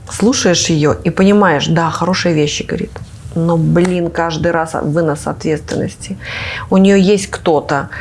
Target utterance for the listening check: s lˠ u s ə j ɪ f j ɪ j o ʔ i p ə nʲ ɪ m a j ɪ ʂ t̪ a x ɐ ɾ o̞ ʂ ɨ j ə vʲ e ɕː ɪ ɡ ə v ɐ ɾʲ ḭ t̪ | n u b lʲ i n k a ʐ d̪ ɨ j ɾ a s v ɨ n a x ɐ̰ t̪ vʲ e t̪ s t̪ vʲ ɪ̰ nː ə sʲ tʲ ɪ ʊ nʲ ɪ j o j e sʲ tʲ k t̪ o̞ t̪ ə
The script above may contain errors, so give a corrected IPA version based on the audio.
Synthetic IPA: s lˠ u ʂ ə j ɪ ʂ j ɪ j o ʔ i p ə nʲ ɪ m a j ɪ ʂ d̪ a x ɐ ɾ o̞ ʂ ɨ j ə vʲ e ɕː ɪ ɡ ə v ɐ ɾʲ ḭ t̪ | n o b lʲ i n k a ʐ d̪ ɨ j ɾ a s v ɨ n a s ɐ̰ t̪ vʲ e t̪ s t̪ vʲ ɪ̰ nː ə sʲ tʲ ɪ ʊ nʲ ɪ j o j e sʲ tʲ k t̪ o̞ t̪ ə